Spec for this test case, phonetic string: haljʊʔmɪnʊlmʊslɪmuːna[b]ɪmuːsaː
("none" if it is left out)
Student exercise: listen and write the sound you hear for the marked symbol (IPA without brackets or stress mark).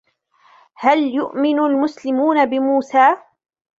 b